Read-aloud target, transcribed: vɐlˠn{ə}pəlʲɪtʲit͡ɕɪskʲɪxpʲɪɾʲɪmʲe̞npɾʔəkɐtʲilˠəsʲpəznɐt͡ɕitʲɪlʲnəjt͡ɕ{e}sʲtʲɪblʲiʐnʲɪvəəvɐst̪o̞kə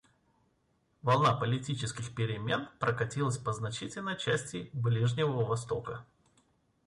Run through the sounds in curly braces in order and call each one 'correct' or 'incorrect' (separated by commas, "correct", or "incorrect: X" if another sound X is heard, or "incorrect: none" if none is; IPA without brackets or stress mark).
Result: incorrect: a, incorrect: æ